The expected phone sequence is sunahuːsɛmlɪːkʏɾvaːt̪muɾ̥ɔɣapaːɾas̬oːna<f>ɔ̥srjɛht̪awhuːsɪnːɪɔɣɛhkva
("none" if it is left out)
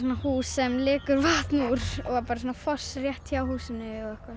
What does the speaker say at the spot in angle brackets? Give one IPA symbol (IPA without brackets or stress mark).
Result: f